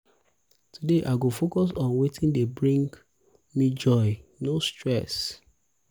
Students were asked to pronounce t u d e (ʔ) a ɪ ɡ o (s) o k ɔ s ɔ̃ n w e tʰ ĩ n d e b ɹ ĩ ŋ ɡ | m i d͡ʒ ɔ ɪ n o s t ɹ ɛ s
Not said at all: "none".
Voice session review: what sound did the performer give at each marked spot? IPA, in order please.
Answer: ʔ, f

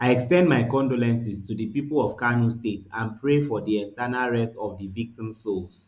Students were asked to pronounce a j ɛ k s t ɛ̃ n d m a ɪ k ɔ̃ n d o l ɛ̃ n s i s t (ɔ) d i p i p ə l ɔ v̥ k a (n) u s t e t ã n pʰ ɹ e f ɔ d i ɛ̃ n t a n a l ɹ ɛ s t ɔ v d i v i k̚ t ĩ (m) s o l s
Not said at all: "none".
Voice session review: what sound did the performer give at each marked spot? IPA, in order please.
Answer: u, n, m

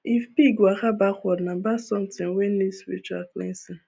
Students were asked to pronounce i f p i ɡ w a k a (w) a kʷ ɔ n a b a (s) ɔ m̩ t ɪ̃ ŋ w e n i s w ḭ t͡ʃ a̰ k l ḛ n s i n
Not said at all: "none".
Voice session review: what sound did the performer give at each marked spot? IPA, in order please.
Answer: b, s

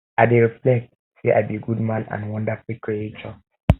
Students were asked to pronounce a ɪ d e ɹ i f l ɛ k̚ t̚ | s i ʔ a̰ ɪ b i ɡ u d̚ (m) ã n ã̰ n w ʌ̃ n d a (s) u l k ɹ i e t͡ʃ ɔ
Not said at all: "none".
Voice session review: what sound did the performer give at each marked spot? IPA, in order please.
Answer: m, f

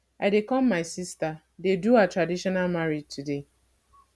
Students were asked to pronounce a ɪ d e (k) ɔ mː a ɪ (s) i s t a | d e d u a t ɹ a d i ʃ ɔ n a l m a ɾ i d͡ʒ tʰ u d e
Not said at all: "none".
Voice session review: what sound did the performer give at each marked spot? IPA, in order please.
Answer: k, s

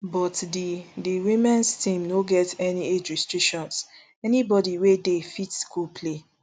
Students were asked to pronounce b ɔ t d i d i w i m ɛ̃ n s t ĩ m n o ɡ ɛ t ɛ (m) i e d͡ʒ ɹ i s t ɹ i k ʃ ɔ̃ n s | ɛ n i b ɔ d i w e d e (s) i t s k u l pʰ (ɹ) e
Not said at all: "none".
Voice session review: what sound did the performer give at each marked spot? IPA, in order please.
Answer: n, f, l

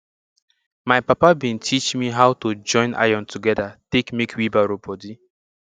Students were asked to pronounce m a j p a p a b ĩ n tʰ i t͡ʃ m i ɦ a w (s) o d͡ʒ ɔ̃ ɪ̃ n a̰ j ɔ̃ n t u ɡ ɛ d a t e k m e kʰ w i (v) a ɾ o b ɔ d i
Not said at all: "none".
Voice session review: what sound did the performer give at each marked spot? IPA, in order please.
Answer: t, b

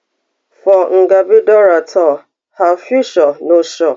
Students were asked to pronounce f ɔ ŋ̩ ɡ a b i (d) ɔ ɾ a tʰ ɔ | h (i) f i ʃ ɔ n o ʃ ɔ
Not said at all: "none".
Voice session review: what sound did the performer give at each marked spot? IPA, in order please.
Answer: d, a

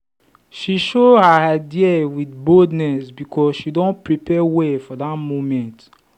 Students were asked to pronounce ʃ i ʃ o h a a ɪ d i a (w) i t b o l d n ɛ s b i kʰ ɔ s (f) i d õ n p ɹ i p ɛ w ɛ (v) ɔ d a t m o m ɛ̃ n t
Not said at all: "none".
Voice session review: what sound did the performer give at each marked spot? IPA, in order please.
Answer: w, ʃ, f

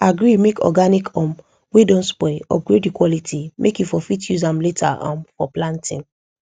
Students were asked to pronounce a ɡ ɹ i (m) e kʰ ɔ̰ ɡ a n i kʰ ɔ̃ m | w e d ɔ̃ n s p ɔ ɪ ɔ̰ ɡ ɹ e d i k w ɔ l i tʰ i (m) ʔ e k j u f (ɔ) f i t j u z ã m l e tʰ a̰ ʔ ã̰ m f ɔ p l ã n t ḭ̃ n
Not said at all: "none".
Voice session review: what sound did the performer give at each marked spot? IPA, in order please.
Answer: m, m, ɔ

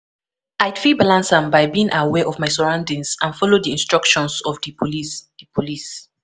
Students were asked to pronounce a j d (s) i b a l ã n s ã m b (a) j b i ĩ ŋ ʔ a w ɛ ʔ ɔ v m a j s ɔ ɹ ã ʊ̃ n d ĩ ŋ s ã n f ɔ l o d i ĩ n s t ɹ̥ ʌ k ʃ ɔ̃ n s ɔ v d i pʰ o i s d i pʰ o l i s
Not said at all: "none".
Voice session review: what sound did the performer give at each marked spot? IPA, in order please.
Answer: f, a

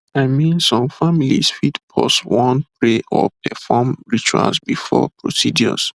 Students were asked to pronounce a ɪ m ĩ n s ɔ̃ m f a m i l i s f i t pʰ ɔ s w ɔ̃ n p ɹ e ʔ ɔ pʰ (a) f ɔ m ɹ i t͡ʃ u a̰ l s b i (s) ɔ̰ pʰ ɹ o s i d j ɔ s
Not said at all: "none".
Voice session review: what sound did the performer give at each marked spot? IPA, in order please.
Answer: ɛ, f

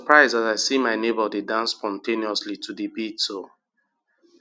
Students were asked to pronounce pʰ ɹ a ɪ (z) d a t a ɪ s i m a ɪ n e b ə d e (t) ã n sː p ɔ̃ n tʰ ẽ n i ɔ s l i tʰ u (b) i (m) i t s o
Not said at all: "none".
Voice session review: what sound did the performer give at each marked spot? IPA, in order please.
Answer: z, d, d, b

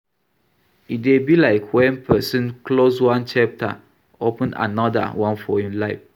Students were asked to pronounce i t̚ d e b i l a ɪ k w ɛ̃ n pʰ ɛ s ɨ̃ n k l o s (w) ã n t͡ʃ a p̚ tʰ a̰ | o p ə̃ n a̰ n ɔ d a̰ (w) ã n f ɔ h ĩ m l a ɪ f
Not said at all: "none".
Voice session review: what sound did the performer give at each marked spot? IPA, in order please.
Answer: w, w

